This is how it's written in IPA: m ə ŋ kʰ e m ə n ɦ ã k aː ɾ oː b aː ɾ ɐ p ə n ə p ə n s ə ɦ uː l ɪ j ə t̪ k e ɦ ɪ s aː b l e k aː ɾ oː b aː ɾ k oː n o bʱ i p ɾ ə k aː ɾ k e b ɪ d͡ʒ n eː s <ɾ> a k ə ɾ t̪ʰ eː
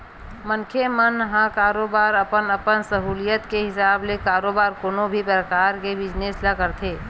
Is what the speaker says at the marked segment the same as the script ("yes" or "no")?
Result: no